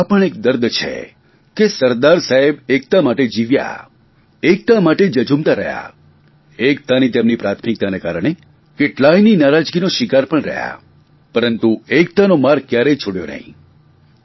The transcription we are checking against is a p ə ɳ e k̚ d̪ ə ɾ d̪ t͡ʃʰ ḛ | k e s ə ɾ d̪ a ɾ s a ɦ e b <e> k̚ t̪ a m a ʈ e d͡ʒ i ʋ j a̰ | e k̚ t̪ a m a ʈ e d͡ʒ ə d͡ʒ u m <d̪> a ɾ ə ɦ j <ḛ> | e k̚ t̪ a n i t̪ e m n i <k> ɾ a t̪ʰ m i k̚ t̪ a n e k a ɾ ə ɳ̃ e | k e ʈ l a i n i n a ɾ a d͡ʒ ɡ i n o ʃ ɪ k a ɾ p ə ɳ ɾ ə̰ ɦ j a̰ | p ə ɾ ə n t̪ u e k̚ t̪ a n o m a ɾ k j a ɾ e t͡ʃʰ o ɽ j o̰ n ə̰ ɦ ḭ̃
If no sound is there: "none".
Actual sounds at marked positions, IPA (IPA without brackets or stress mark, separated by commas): e, t̪, a̰, p